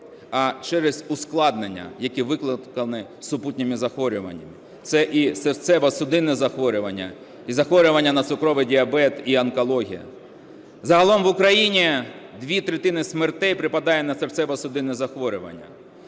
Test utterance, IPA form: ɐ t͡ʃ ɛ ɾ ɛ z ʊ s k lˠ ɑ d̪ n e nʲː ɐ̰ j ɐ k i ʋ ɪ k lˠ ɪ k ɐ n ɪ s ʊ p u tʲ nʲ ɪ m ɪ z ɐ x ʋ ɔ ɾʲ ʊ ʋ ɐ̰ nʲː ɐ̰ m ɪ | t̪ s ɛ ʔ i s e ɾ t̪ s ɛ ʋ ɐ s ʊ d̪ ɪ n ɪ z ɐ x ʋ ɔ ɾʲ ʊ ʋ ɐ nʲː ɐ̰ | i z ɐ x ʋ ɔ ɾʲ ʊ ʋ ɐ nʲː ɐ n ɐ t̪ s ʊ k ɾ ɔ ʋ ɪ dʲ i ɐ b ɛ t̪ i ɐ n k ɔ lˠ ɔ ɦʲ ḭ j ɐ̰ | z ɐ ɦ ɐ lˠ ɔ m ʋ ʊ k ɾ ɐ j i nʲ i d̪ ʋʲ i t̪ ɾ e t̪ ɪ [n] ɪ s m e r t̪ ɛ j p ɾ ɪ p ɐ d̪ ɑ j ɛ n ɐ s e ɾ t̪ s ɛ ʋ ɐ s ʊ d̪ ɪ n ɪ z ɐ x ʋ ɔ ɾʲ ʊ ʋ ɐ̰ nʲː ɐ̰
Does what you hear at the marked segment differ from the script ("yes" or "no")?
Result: no